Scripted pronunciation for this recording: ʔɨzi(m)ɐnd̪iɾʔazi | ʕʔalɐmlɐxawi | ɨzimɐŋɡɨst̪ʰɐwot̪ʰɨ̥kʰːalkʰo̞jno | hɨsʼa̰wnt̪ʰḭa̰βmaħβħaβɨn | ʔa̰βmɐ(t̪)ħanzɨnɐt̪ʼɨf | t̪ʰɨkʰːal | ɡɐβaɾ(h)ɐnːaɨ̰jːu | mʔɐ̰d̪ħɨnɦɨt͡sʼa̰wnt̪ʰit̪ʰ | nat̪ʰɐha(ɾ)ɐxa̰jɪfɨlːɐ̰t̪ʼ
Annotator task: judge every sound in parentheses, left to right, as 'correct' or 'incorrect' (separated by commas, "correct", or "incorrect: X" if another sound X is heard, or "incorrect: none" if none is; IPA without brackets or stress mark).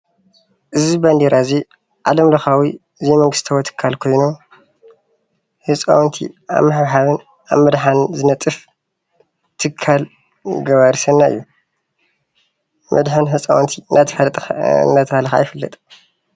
incorrect: b, incorrect: d̪, incorrect: s, incorrect: l